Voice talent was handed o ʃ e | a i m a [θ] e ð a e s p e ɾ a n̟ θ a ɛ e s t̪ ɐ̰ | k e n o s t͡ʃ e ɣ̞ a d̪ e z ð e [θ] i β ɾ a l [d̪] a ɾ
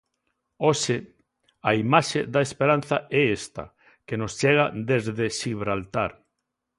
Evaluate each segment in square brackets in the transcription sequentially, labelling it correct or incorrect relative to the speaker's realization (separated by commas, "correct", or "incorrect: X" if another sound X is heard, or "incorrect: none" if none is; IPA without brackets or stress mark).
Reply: incorrect: ʃ, incorrect: ʃ, incorrect: t̪